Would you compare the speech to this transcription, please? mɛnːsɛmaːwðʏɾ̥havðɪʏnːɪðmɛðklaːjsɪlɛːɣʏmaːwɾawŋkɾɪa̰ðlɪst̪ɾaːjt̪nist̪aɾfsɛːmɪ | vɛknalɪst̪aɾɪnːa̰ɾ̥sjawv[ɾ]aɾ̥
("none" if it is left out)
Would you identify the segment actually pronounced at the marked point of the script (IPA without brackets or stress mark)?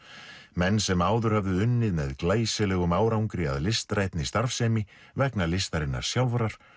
ɾ